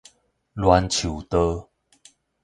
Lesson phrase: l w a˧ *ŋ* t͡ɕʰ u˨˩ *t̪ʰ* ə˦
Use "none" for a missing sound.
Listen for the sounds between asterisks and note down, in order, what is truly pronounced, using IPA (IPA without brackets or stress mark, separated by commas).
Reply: n, t̪